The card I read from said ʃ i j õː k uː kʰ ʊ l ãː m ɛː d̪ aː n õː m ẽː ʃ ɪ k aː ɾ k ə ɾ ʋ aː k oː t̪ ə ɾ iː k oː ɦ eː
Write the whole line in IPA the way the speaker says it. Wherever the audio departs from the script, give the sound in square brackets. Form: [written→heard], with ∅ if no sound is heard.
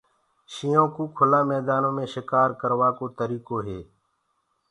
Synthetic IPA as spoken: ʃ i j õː k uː kʰ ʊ l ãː m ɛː d̪ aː n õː m ẽː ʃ ɪ k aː ɾ k ə ɾ ʋ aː k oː t̪ ə ɾ iː k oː ɦ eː

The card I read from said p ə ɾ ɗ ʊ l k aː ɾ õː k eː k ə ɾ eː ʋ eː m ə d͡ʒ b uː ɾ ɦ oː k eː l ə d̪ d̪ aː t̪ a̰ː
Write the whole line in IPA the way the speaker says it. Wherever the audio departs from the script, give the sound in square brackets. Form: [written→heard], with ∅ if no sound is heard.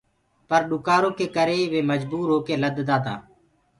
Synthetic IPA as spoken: p ə ɾ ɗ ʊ [l→∅] k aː ɾ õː k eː k ə ɾ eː ʋ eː m ə d͡ʒ b uː ɾ ɦ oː k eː l ə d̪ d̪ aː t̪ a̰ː

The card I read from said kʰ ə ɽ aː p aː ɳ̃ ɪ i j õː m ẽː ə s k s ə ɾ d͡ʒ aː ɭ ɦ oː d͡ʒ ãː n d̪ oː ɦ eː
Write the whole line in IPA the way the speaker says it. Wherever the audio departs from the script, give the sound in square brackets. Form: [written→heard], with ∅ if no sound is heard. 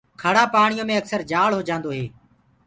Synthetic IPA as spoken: kʰ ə ɽ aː p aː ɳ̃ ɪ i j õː m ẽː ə [s→∅] k s ə ɾ d͡ʒ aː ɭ ɦ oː d͡ʒ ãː n d̪ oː ɦ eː

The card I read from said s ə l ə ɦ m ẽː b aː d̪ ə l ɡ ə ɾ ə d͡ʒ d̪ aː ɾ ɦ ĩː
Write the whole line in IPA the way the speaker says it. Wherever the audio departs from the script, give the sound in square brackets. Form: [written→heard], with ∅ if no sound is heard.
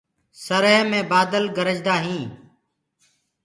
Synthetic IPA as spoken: s ə [l→ɾ] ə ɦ m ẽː b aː d̪ ə l ɡ ə ɾ ə d͡ʒ d̪ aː [ɾ→∅] ɦ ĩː

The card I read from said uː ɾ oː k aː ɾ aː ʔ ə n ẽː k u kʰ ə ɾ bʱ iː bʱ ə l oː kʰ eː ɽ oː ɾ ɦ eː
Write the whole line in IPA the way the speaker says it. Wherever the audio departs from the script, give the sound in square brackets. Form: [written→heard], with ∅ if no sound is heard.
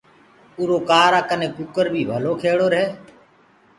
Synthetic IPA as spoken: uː ɾ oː k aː ɾ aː [ʔ→k] ə n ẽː k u [kʰ→k] ə ɾ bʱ iː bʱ ə l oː kʰ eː ɽ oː ɾ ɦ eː

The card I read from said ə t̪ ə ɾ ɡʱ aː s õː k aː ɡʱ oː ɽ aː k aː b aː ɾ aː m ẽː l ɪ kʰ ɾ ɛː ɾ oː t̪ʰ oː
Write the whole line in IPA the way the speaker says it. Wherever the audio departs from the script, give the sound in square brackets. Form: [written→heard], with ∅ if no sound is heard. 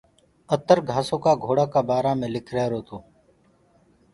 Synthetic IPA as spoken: ə t̪ ə ɾ ɡʱ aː s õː k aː ɡʱ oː ɽ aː k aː b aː ɾ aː m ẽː l ɪ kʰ ɾ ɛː ɾ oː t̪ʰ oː

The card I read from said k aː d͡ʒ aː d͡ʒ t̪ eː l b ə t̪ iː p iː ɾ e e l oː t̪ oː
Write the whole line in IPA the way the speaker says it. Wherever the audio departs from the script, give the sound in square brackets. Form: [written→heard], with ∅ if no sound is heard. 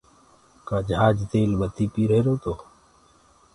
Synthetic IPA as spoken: k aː d͡ʒ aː d͡ʒ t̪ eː l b ə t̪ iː p iː ɾ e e [l→ɾ] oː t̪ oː

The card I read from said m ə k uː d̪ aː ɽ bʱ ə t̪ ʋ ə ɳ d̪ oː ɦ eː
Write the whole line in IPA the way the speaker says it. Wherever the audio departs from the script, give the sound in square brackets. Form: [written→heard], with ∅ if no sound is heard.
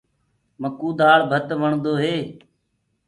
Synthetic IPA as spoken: m ə k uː d̪ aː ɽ bʱ ə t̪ ʋ ə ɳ d̪ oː ɦ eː

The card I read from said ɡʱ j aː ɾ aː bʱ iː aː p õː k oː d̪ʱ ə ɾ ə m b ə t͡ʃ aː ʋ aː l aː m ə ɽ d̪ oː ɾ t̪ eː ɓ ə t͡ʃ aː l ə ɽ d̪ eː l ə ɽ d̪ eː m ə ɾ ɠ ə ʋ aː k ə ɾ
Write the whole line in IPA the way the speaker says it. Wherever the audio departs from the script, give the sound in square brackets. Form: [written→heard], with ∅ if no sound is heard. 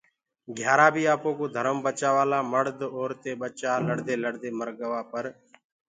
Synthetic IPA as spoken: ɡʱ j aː ɾ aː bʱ iː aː p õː k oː d̪ʱ ə ɾ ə m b ə t͡ʃ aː ʋ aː l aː m ə ɽ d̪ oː ɾ t̪ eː ɓ ə t͡ʃ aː l ə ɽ d̪ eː l ə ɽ d̪ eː m ə ɾ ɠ ə ʋ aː [k→p] ə ɾ

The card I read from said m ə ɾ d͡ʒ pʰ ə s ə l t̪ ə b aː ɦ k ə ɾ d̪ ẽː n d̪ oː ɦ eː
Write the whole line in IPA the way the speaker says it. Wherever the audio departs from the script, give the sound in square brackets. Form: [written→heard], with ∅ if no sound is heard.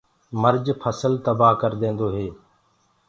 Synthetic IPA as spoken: m ə ɾ d͡ʒ pʰ ə s ə l t̪ ə b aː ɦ k ə ɾ d̪ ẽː n d̪ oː ɦ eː

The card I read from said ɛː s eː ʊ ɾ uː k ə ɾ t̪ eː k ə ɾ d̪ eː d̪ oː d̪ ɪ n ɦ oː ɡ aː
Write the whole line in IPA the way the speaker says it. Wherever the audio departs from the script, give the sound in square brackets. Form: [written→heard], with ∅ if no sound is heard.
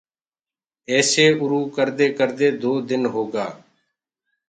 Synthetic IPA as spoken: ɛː s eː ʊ ɾ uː k ə ɾ [t̪→d̪] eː k ə ɾ d̪ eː d̪ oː d̪ ɪ n ɦ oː ɡ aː

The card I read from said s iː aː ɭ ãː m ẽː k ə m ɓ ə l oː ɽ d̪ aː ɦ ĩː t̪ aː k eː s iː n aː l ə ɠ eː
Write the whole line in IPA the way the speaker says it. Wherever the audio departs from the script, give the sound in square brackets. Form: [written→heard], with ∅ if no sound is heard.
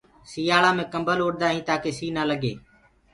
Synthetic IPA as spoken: s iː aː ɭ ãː m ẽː k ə m [ɓ→b] ə l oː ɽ d̪ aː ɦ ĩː t̪ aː k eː s iː n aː l ə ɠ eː

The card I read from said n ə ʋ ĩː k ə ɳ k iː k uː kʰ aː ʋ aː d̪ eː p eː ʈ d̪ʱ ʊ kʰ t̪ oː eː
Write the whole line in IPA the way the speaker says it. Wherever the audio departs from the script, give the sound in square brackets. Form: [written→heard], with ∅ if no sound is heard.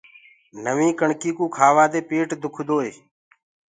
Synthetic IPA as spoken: n ə ʋ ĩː k ə ɳ k iː k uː kʰ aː ʋ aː d̪ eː p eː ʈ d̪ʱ ʊ kʰ [t̪→d̪] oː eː

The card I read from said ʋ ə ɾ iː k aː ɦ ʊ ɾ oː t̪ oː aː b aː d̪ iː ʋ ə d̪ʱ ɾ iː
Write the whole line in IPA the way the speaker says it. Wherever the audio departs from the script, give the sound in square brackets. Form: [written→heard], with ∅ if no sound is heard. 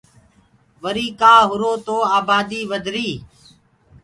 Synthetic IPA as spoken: ʋ ə ɾ iː k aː ɦ ʊ ɾ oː t̪ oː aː b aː d̪ iː ʋ ə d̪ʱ ɾ iː

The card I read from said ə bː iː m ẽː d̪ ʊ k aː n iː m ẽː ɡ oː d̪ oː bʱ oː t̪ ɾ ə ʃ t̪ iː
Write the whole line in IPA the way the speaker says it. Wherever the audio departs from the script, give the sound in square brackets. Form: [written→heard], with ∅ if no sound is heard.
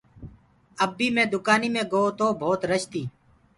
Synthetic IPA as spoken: ə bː iː m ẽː d̪ ʊ k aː n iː m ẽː ɡ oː [d̪→t̪] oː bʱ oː t̪ ɾ ə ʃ t̪ iː

